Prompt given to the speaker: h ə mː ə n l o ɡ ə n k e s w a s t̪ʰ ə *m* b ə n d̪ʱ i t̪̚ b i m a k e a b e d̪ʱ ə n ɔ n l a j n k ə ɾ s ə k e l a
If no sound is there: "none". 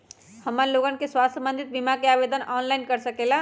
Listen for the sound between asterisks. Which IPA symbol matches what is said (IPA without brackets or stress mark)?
m